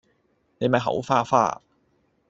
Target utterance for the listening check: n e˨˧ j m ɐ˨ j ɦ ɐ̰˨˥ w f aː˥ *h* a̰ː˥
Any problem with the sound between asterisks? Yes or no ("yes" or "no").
yes